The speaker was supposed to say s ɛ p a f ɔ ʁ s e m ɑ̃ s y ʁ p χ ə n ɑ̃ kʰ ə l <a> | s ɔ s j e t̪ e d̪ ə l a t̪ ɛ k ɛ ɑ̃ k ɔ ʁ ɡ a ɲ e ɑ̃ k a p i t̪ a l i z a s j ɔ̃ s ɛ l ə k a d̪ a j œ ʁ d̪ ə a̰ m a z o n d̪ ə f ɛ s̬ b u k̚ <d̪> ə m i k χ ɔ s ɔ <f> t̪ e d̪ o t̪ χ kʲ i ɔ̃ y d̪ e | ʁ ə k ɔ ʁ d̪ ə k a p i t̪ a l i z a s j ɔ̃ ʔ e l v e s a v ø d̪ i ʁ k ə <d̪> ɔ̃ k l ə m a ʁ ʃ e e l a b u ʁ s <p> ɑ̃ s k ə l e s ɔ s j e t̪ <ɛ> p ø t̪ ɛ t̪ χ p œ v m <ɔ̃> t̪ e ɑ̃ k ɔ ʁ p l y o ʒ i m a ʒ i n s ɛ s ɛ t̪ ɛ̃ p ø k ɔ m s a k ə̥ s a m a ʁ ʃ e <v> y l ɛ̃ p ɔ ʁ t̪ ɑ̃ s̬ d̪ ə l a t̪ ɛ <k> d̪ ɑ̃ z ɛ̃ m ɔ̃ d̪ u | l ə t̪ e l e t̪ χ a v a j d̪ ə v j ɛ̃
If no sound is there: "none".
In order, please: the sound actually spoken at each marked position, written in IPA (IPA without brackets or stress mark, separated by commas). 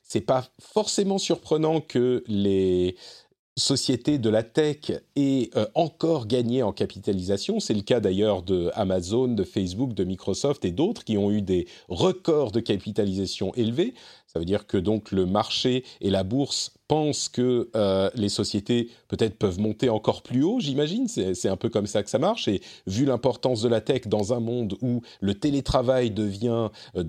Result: e, d̪, f, d̪, p, e, ɔ̃, v, k